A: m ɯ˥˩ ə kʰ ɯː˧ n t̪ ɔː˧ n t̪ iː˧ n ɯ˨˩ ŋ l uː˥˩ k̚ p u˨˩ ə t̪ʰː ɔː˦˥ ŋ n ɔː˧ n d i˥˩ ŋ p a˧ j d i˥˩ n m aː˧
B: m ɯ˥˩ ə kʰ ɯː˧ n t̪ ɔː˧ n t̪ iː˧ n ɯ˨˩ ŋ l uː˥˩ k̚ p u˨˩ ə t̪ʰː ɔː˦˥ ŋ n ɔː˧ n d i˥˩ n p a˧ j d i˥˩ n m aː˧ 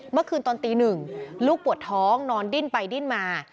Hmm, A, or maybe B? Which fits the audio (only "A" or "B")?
B